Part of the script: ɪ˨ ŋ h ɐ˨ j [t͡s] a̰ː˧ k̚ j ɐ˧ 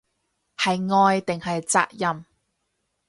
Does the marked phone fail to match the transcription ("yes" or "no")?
no